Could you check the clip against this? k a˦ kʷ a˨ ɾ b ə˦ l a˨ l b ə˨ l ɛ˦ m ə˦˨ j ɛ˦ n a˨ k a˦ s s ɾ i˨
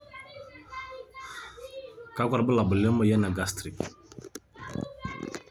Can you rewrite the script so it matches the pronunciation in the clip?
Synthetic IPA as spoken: k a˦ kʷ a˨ ɾ b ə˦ l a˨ b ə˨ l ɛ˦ m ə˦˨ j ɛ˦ n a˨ ɡ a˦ s t ɾ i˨